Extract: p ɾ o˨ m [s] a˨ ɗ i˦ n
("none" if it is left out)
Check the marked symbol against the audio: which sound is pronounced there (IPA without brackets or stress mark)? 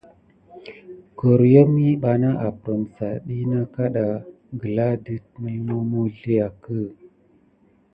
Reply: s